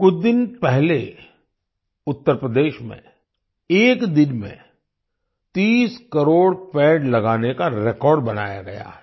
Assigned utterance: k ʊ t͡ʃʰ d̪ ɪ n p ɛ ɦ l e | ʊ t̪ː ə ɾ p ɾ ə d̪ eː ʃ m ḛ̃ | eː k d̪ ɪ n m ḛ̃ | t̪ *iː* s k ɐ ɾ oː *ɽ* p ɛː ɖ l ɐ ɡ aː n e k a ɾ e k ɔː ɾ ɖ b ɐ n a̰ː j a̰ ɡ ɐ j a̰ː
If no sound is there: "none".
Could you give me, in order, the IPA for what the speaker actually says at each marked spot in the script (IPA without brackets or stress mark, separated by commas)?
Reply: iː, ɽ